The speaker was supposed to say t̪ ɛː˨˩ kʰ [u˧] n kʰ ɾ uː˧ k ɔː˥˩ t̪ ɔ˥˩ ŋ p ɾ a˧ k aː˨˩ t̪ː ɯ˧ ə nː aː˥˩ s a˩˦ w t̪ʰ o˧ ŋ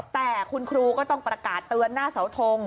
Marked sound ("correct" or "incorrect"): correct